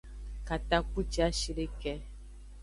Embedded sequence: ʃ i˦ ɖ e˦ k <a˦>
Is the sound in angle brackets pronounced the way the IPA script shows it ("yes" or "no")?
no